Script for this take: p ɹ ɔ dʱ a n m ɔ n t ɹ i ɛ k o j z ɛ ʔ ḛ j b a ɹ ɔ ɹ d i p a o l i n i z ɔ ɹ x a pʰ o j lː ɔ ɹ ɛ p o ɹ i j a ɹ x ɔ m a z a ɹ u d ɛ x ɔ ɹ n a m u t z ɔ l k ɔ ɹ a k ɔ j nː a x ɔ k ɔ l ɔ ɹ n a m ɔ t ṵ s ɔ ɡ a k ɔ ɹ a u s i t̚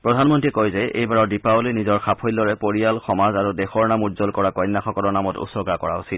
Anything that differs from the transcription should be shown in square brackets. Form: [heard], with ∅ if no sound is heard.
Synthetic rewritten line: p ɹ ɔ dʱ a n m ɔ n t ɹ i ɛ k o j z ɛ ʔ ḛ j b a ɹ ɔ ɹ d i p a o l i n i z ɔ ɹ x a pʰ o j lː ɔ ɹ ɛ p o ɹ i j a [l] x ɔ m a z a ɹ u d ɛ x ɔ ɹ n a m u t z ɔ l k ɔ ɹ a k ɔ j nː a x ɔ k ɔ l ɔ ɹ n a m ɔ t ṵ s ɔ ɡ a k ɔ ɹ a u s i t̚